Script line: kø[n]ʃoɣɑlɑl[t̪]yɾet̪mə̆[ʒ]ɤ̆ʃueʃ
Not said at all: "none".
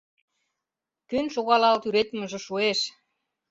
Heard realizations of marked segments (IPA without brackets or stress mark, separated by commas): n, t̪, ʒ